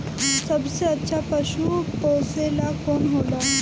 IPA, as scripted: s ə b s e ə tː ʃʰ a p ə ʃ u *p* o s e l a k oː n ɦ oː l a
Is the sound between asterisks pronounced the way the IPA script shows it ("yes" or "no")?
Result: yes